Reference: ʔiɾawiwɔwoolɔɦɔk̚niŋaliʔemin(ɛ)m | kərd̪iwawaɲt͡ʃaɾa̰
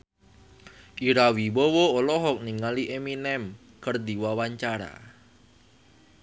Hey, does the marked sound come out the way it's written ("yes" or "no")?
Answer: yes